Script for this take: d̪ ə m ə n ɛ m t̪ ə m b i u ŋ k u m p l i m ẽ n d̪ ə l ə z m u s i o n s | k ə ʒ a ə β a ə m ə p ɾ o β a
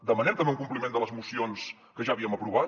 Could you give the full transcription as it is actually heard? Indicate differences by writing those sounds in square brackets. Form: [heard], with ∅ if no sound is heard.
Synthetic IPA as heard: d̪ ə m ə n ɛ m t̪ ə m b [e] u ŋ k u m p l i m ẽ n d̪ ə l ə z m u s i o n s | k ə ʒ a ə β [i] ə m ə p ɾ [u] β a